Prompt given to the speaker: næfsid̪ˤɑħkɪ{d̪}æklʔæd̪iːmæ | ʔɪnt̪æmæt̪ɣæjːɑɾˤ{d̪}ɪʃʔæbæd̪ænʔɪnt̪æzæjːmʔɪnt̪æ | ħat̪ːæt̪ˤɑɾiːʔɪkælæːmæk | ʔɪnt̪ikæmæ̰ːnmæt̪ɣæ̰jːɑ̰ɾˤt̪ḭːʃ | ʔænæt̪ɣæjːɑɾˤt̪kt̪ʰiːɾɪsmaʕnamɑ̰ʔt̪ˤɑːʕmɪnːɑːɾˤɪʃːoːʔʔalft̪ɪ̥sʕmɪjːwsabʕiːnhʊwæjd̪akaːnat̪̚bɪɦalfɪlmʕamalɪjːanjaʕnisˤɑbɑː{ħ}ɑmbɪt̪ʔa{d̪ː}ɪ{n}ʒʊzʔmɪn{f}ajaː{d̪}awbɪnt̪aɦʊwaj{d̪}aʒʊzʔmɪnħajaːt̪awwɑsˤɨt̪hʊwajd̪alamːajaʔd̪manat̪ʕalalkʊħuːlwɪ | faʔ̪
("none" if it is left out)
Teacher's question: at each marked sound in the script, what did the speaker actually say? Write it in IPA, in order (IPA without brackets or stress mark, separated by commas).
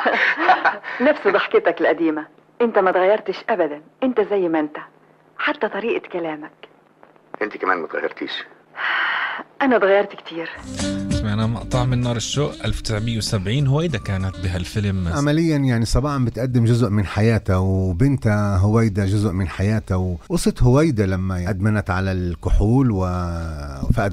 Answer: t̪, t̪, ħ, d̪ː, m, ħ, t̪, d̪